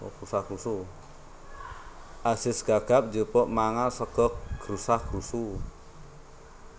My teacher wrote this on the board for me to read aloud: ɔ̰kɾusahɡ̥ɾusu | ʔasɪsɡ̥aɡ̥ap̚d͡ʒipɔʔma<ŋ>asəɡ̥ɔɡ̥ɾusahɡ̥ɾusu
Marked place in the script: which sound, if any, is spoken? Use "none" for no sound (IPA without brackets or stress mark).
ŋ